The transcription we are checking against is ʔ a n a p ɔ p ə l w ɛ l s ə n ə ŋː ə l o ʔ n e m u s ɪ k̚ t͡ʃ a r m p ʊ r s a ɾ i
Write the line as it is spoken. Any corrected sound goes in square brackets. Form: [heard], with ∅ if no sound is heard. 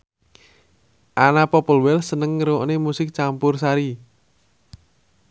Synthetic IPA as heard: ʔ a n a p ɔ p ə l w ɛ l s ə n ə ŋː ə [ɾ] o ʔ n e m u s ɪ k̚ t͡ʃ a [∅] m p ʊ r s a ɾ i